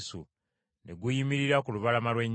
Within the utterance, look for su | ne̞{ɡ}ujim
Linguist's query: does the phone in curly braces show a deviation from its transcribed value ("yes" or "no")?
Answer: no